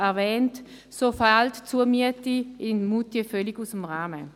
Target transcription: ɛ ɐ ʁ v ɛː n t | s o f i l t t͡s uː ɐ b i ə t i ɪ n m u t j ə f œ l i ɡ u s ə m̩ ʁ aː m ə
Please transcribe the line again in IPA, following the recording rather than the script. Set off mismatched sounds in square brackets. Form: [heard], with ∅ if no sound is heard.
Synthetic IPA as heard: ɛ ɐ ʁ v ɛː n t | s o f [a] l t t͡s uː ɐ [m] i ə t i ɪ n m u t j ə f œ l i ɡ u s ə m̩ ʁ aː m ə